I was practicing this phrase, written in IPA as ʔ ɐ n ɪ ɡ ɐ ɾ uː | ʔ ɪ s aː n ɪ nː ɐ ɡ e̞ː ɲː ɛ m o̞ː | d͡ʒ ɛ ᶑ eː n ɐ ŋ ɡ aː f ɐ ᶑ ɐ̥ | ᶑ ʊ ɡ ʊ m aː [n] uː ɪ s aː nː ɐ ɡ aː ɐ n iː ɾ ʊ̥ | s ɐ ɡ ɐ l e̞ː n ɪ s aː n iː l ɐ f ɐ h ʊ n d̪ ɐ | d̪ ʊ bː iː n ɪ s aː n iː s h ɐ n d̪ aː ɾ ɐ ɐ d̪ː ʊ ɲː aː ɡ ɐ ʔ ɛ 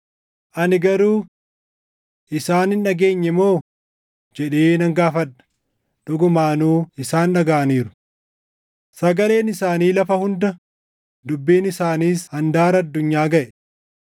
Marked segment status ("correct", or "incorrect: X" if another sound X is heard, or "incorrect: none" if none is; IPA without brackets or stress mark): correct